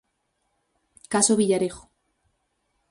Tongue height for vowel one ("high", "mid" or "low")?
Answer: low